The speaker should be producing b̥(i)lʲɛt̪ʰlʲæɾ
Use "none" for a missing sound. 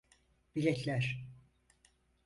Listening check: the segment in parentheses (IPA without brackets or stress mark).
i